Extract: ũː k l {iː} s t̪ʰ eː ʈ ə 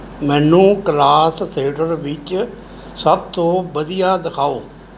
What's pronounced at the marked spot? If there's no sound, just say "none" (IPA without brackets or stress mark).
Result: aː